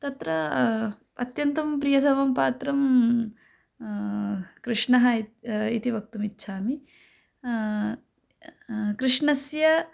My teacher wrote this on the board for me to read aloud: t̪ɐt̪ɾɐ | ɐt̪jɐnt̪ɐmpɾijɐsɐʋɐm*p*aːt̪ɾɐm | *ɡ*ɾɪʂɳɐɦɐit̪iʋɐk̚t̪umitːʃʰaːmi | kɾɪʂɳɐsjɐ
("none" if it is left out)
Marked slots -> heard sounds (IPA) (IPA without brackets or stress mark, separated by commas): p, k